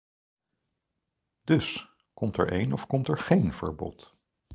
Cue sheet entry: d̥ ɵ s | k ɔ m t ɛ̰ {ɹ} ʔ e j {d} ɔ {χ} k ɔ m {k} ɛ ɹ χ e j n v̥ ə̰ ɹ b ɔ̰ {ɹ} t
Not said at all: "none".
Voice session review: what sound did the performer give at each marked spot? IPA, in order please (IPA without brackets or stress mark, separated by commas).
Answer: ɹ, n, f, t, none